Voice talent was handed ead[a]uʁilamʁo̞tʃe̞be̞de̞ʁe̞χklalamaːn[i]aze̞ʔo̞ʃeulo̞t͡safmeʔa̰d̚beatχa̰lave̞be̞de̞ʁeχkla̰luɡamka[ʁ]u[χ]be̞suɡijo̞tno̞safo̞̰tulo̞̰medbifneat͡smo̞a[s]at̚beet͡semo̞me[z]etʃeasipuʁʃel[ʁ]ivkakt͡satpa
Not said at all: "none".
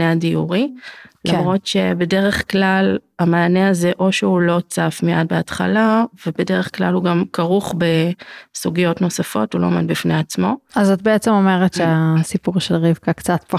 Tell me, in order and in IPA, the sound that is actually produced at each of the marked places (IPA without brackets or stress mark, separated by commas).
i, e, ʁ, χ, z, ʁ, ʁ